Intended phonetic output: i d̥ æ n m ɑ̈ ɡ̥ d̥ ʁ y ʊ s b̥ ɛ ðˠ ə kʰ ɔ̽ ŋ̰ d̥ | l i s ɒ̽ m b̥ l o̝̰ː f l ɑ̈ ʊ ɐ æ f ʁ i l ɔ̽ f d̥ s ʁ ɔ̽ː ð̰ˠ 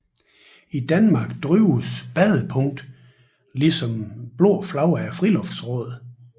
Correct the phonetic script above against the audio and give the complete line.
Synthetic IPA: i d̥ æ n m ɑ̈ ɡ̥ d̥ ʁ y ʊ s b̥ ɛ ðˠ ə pʰ ɔ̽ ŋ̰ d̥ | l i s ɒ̽ m b̥ l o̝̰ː f l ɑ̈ ʊ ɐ æ f ʁ i l ɔ̽ f d̥ s ʁ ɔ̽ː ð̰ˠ